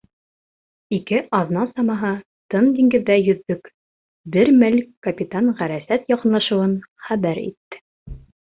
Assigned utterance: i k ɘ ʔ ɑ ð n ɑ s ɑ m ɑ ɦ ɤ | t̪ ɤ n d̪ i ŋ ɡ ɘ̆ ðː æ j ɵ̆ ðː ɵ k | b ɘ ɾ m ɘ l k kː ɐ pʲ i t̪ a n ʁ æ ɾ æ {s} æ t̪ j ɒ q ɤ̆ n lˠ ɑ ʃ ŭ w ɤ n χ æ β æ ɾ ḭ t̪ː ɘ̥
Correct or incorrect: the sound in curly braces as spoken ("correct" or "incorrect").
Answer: correct